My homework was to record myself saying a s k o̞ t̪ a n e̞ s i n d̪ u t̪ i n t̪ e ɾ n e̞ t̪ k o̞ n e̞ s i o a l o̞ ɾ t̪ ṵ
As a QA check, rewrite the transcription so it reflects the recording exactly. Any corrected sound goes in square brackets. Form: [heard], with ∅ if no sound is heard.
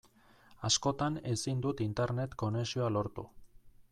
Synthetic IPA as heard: a s k o̞ t̪ a n e̞ s i n d̪ u t̪ i n t̪ e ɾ n e̞ t̪ k o̞ n e̞ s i o a l o̞ ɾ t̪ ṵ